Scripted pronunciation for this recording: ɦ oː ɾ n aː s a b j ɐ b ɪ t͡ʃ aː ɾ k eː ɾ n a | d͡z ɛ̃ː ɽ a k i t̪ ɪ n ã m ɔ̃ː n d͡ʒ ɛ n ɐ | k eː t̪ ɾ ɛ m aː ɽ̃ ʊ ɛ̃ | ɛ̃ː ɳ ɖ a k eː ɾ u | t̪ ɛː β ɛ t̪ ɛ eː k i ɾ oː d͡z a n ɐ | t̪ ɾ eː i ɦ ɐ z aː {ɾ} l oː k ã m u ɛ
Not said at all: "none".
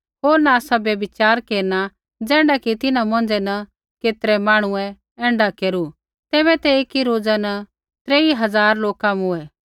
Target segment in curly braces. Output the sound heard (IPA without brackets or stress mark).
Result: ɾ